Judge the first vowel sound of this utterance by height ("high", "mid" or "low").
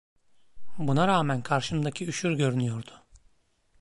high